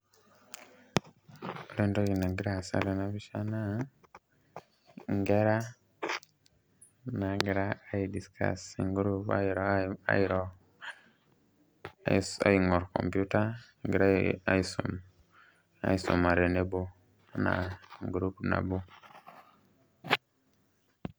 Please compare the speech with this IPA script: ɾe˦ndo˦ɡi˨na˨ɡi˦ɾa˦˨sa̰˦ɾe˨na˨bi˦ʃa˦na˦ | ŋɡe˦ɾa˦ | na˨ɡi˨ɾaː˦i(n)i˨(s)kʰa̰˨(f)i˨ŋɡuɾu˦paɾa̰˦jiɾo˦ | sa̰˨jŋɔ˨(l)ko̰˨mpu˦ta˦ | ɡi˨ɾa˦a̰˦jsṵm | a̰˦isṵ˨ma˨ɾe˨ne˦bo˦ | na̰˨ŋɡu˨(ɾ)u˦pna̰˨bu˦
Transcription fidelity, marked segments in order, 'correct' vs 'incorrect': incorrect, correct, incorrect, incorrect, correct

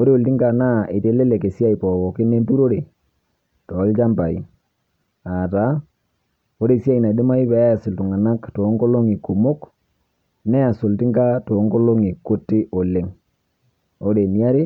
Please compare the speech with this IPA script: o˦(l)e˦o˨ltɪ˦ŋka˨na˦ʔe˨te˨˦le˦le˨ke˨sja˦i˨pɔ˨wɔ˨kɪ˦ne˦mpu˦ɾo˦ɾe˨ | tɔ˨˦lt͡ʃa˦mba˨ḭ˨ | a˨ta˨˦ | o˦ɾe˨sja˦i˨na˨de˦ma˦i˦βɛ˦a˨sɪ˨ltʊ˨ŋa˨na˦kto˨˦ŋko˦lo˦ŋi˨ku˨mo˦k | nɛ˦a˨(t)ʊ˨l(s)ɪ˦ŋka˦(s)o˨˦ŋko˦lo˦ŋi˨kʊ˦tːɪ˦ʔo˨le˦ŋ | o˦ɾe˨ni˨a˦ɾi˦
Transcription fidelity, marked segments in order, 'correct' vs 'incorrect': incorrect, incorrect, incorrect, incorrect

